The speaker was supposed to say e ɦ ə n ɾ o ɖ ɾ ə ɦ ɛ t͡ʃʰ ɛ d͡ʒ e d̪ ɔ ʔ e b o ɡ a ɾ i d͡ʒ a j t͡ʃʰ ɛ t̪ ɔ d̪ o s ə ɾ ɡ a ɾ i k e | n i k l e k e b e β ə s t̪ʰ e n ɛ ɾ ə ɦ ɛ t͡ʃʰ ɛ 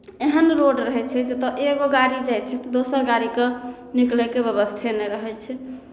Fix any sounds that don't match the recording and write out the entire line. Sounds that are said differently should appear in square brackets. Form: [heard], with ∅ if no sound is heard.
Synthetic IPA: e ɦ ə n ɾ o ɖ ɾ ə ɦ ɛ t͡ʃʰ ɛ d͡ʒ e [t̪] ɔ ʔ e [ɡ] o ɡ a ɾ i d͡ʒ a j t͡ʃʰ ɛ t̪ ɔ d̪ o s ə ɾ ɡ a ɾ i k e | n i k l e k e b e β ə s t̪ʰ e n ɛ ɾ ə ɦ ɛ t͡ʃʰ ɛ